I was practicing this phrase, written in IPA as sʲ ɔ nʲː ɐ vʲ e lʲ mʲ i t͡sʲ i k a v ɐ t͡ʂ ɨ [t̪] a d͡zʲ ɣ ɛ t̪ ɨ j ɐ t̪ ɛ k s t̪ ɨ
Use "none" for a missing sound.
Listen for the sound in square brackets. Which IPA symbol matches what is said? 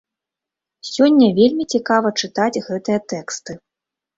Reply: t̪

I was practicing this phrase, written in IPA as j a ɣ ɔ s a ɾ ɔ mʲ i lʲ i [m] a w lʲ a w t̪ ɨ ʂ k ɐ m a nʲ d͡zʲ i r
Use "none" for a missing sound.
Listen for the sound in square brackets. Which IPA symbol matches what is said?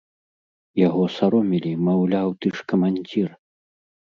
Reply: m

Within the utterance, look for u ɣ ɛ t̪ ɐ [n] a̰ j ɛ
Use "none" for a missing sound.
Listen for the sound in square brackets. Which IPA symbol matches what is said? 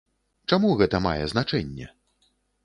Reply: m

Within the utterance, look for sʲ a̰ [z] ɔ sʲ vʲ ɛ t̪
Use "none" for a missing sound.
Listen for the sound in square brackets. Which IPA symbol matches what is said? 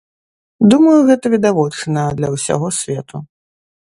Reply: ɣ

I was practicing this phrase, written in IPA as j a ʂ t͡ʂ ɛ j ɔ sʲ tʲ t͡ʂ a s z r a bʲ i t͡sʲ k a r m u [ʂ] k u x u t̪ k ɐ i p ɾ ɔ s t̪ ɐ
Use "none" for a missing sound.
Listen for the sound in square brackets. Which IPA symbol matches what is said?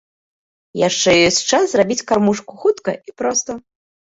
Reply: ʂ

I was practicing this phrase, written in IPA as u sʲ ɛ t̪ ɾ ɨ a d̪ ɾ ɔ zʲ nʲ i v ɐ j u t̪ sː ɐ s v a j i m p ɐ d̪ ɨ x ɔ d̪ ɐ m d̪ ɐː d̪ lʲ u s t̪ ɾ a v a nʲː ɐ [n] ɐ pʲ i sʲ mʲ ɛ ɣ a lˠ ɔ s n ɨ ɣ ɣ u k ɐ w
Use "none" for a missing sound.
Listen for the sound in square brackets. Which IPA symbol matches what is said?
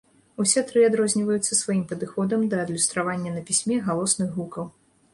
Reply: n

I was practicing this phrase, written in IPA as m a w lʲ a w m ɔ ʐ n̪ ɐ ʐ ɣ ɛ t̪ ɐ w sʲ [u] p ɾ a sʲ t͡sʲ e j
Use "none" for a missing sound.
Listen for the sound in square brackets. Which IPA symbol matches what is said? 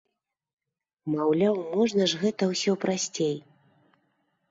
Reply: ɔ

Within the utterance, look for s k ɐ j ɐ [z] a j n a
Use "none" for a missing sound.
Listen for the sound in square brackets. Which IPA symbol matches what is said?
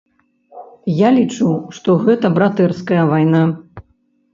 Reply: v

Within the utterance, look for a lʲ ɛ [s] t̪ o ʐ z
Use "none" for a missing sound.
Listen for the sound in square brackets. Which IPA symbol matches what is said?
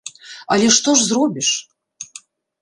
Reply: ʂ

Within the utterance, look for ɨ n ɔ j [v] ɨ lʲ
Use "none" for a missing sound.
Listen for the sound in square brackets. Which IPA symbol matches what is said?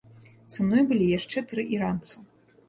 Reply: b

